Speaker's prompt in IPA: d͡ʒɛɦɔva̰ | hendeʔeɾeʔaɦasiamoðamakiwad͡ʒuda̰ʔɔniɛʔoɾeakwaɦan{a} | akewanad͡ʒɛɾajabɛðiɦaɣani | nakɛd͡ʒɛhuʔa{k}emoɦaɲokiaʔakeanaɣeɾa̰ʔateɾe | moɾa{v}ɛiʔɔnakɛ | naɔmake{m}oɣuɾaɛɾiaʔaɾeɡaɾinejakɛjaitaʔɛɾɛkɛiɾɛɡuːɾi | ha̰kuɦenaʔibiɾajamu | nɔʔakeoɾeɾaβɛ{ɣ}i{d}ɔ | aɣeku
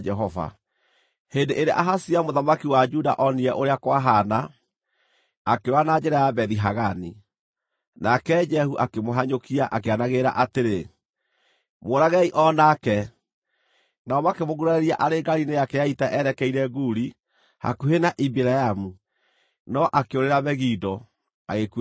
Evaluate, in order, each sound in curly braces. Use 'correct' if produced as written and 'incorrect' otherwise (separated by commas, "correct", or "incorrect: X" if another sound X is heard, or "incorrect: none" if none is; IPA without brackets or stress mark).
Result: correct, correct, incorrect: ɣ, correct, correct, correct